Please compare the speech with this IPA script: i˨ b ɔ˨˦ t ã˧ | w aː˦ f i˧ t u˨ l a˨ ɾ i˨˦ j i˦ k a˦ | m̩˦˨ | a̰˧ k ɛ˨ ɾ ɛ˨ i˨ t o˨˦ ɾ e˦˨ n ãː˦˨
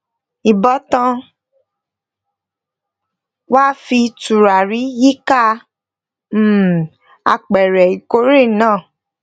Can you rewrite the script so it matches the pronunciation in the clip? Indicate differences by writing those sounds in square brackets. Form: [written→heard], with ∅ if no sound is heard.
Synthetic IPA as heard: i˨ b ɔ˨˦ t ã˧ | w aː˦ f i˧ t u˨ [l→ɾ] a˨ ɾ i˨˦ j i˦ k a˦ | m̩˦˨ | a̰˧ [k→k͡p] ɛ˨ ɾ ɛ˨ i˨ [t→k] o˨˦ ɾ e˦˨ n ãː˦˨